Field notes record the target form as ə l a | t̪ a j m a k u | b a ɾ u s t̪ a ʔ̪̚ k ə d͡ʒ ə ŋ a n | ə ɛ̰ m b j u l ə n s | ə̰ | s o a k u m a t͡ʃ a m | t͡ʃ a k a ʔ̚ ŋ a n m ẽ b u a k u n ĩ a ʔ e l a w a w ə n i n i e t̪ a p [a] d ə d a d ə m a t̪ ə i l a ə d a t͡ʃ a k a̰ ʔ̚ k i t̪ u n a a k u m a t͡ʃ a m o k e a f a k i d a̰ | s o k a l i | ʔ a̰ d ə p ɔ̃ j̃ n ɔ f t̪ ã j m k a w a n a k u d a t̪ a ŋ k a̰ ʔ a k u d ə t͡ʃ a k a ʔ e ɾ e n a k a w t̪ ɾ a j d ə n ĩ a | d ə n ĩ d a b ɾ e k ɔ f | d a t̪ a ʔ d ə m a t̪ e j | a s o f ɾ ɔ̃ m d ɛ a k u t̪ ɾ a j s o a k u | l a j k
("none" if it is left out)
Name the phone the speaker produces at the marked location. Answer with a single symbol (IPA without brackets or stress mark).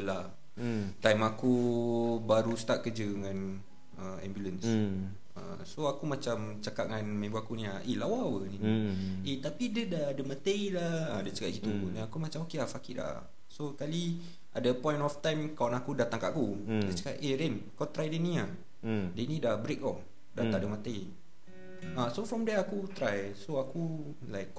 i